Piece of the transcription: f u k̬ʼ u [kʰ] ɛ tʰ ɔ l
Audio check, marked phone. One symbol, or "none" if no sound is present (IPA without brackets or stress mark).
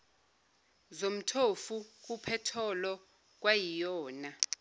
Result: pʰ